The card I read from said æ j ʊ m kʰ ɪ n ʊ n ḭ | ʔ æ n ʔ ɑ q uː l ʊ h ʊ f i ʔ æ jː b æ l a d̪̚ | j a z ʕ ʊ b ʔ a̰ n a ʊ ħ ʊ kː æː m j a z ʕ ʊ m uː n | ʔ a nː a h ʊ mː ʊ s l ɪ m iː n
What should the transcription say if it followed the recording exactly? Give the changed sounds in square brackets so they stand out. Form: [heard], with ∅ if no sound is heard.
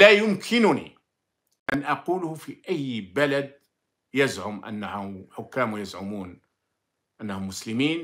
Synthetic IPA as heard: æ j ʊ m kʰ ɪ n ʊ n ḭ | ʔ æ n ʔ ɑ q uː l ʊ h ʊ f i ʔ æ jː b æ l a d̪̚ | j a z ʕ ʊ [m] ʔ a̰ [nː] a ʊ ħ ʊ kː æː m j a z ʕ ʊ m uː n | ʔ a nː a h ʊ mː ʊ s l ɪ m iː n